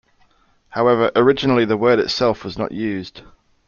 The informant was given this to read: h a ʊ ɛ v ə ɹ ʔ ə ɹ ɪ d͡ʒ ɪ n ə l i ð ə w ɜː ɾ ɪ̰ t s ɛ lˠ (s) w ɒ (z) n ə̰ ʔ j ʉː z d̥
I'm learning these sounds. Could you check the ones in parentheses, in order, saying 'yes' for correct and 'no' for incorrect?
no, yes

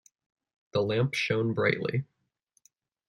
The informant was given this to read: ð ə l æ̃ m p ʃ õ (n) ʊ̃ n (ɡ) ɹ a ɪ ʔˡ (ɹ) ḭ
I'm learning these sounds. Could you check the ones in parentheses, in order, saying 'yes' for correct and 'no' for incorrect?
no, no, no

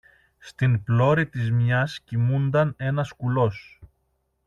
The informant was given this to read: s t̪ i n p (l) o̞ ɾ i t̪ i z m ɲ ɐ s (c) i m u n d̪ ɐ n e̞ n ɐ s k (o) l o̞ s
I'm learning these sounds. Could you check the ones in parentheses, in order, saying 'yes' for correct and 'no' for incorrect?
yes, yes, no

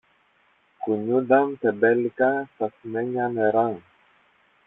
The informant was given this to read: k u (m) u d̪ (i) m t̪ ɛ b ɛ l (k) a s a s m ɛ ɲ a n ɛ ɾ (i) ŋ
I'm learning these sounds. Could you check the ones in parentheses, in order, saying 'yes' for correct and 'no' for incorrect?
no, no, yes, no

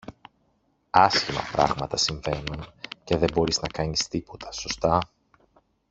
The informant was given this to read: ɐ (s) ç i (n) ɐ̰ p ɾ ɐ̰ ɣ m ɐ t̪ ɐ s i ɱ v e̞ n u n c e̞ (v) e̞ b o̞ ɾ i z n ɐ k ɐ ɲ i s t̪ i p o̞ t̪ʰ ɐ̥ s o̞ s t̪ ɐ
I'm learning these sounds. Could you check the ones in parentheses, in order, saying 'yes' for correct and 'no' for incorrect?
yes, no, no

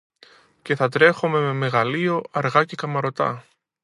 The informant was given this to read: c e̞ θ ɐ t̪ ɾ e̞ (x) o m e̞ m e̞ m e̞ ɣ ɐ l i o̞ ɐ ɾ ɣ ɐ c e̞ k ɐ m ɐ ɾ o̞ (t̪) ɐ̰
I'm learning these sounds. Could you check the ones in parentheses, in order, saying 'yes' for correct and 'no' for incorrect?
yes, yes

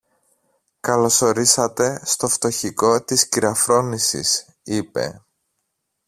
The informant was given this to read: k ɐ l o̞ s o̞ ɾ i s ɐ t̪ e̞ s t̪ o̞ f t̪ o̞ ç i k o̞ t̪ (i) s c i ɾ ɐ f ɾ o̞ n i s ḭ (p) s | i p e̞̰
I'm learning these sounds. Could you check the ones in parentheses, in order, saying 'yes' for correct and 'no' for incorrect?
yes, no

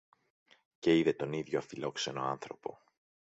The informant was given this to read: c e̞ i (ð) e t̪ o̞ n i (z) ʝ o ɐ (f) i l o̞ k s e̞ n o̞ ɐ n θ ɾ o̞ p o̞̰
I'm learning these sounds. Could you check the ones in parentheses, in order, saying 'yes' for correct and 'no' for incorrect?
yes, no, yes

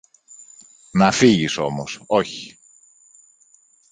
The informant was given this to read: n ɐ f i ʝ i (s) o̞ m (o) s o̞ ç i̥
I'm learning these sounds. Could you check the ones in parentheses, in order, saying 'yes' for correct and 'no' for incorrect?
yes, yes

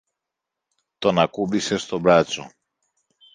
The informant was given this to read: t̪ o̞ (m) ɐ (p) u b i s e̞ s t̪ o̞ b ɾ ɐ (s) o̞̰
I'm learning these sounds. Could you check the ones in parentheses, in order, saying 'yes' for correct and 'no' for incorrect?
no, no, no

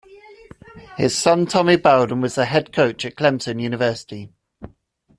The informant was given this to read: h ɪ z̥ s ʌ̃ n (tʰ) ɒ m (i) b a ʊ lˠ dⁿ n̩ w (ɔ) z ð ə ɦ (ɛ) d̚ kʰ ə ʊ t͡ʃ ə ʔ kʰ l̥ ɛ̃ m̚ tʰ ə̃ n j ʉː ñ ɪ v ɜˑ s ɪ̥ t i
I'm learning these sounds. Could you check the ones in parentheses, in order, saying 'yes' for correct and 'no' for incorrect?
yes, yes, no, yes

